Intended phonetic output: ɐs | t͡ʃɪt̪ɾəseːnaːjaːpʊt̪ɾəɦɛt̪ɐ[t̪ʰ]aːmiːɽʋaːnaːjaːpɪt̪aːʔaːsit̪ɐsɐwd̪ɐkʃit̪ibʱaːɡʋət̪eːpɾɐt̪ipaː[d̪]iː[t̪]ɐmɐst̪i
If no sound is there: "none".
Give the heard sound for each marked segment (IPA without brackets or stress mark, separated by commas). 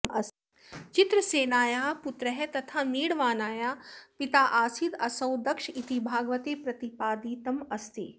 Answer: t̪ʰ, d̪, t̪